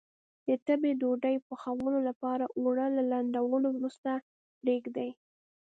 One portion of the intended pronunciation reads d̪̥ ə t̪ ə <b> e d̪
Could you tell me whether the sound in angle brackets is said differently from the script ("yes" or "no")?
no